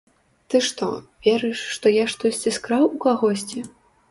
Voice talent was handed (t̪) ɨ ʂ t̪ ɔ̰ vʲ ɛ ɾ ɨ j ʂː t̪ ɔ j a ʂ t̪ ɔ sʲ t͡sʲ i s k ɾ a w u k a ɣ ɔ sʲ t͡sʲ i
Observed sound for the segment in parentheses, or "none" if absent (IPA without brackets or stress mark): t̪